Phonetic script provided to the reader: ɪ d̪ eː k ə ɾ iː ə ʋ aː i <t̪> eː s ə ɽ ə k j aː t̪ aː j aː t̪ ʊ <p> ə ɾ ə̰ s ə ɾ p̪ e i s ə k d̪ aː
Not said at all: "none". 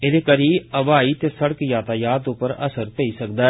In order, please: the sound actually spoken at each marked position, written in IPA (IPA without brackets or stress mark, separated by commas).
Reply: t̪, p